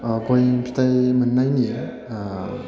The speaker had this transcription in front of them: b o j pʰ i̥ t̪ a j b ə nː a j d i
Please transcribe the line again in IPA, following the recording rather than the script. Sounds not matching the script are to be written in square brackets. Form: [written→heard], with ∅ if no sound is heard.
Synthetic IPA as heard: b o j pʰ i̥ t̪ a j [b→m] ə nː a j [d→n] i